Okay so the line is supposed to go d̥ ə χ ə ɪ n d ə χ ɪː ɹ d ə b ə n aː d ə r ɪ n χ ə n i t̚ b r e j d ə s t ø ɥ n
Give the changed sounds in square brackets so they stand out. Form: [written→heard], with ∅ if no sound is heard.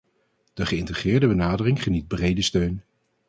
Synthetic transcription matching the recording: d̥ ə χ ə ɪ n [d→t] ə χ ɪː ɹ d ə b ə n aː d ə r ɪ [n→ŋ] χ ə n i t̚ b r e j d ə s t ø ɥ n